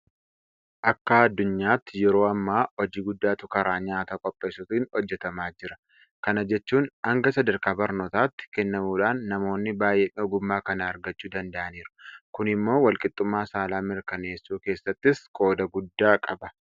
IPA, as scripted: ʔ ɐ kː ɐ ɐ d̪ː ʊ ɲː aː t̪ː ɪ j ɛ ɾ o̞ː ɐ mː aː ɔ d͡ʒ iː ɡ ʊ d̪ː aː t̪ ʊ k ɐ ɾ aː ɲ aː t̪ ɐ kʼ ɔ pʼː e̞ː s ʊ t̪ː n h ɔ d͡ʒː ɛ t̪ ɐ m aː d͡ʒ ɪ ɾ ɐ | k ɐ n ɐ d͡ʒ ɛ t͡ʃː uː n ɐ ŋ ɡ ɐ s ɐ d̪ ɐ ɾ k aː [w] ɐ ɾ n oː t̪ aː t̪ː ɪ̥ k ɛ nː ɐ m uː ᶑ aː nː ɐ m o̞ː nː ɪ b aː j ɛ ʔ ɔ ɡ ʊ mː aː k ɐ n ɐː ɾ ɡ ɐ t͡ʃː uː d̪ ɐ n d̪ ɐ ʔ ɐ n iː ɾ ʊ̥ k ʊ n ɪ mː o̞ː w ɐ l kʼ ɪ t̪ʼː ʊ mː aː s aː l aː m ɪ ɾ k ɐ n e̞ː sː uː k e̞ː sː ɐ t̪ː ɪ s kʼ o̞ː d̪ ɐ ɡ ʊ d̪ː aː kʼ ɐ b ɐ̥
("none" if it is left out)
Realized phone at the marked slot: b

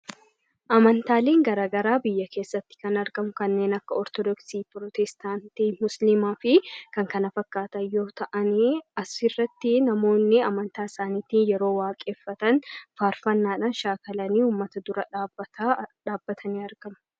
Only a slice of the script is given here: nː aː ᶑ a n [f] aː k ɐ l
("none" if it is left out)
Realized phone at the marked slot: ʃ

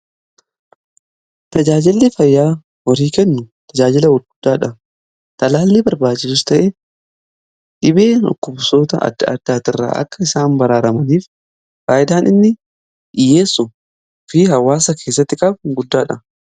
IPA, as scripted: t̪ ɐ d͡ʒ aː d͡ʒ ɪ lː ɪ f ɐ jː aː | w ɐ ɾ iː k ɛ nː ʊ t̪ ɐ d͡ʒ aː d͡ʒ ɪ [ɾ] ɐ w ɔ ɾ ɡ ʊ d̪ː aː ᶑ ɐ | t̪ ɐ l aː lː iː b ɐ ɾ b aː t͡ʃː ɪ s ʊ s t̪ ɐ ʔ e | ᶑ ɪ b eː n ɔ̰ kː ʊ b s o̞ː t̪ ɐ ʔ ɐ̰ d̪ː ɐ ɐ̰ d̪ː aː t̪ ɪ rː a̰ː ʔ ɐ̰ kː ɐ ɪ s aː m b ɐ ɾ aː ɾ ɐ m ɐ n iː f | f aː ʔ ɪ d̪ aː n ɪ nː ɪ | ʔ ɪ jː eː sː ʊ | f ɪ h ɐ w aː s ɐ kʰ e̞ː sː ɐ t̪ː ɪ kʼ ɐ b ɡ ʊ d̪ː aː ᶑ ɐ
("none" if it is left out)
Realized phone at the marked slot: l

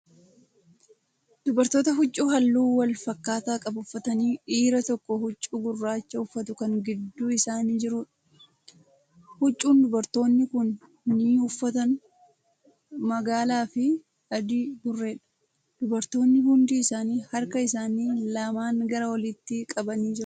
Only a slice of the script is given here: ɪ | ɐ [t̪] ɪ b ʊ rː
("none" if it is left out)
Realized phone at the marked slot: d̪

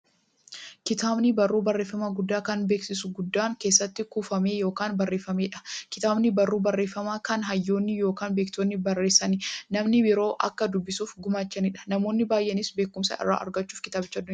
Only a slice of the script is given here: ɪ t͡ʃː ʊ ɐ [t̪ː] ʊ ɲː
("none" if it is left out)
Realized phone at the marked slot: d̪ː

